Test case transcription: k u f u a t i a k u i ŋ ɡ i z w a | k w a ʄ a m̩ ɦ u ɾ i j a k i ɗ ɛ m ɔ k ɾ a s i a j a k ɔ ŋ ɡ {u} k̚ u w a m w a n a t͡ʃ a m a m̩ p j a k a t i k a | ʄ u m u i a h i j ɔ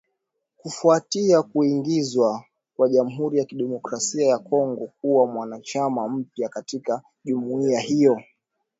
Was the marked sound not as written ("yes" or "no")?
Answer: yes